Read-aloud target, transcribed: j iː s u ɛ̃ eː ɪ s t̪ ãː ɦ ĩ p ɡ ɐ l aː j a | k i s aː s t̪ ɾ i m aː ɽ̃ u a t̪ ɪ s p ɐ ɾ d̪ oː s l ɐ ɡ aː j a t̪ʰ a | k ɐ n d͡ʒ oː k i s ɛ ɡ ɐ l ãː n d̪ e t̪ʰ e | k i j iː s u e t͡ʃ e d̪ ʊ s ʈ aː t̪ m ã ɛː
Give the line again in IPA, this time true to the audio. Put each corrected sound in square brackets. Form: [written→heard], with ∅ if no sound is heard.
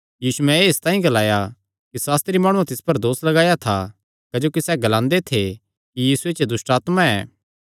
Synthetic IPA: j iː s u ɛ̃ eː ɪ s t̪ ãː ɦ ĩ [p→∅] ɡ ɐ l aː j a | k i s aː s t̪ ɾ i m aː ɽ̃ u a t̪ ɪ s p ɐ ɾ d̪ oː s l ɐ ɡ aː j a t̪ʰ a | k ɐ [n→∅] d͡ʒ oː k i s ɛ ɡ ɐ l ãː n d̪ e t̪ʰ e | k i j iː s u e t͡ʃ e d̪ ʊ s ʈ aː t̪ m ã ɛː